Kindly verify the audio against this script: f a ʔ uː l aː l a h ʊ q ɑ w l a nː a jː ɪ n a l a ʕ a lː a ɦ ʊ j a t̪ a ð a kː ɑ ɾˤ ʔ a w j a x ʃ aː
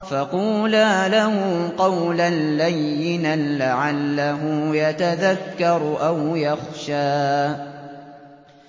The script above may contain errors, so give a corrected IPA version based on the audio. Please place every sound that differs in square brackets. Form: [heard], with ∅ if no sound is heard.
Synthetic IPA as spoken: f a [q] uː l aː l a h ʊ q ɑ w l a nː a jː ɪ n a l a ʕ a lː a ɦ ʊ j a t̪ a ð a kː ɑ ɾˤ ʔ a w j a x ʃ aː